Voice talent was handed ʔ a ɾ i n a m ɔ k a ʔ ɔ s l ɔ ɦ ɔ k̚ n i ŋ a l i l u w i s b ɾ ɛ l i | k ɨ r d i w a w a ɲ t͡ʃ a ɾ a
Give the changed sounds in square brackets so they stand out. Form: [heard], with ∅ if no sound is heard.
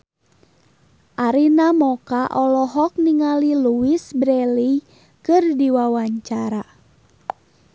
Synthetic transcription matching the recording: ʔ a ɾ i n a m ɔ k a ʔ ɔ [∅] l ɔ ɦ ɔ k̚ n i ŋ a l i l u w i s b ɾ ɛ l i | k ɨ r d i w a w a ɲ t͡ʃ a ɾ a